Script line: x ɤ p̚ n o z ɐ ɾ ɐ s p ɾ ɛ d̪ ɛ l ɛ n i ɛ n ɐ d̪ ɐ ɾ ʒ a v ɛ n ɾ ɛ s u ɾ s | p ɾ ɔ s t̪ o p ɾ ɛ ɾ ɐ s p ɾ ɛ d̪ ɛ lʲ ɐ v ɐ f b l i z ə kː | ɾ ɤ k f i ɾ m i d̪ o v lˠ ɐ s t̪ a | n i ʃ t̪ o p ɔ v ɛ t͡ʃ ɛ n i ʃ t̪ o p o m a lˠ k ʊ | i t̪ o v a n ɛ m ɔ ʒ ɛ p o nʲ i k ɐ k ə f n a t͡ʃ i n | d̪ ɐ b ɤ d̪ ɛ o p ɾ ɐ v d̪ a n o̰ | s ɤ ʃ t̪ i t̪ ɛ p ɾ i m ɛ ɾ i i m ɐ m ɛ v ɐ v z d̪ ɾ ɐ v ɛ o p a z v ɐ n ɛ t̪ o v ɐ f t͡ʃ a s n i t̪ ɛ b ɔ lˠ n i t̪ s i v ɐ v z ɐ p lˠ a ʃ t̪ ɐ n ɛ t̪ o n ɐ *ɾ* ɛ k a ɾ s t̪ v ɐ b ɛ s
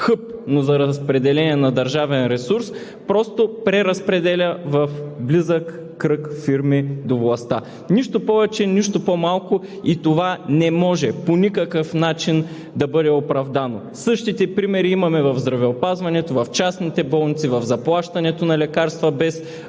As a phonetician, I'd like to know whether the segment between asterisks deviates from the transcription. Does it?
yes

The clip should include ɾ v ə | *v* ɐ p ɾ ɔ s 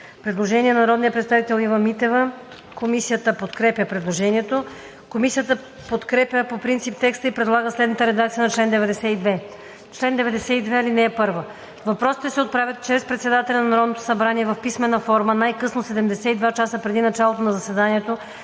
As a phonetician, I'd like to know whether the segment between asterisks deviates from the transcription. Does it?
no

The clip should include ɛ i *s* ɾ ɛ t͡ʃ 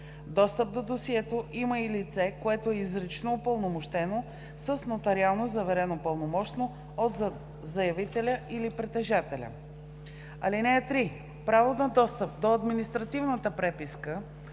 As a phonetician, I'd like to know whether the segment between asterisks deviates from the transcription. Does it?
yes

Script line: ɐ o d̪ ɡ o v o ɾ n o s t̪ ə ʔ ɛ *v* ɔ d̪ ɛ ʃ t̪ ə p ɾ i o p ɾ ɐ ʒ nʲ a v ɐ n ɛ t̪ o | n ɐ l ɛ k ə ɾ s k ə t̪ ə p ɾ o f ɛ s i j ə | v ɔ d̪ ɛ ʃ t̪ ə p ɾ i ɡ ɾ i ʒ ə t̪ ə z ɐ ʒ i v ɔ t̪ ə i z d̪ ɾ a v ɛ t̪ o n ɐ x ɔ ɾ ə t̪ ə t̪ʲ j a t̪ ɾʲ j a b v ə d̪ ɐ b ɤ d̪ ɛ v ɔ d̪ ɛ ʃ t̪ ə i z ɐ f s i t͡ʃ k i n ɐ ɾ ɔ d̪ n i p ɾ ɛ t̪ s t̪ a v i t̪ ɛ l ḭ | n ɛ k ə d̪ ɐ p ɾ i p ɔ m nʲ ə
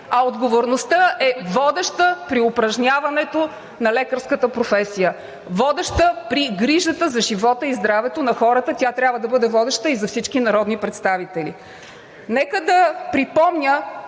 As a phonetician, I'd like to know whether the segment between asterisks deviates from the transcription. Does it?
no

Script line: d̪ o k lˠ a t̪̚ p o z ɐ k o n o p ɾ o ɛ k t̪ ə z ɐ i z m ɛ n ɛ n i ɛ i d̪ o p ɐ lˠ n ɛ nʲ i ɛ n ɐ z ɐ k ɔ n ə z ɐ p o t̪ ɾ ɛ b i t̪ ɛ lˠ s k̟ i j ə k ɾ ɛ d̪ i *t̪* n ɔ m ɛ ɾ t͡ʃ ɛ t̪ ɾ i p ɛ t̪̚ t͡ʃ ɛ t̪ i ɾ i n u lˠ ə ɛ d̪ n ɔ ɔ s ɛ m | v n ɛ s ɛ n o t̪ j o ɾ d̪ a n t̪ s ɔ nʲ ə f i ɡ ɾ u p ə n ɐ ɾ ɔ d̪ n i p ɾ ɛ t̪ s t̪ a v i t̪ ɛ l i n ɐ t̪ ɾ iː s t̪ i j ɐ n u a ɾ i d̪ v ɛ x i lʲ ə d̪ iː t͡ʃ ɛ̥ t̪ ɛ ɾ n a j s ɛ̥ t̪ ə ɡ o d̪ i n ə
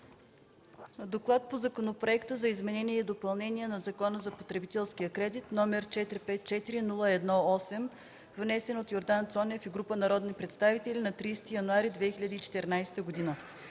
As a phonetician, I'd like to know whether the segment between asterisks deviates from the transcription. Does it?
no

